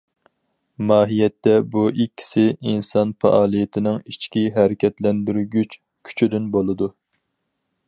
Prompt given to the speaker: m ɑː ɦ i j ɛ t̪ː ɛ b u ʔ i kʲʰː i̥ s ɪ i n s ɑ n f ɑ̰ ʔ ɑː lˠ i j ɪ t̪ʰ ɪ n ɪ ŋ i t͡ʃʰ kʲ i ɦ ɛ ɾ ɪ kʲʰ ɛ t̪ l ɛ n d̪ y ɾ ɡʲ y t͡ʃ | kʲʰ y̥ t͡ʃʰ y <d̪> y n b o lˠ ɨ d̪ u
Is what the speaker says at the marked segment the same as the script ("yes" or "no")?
yes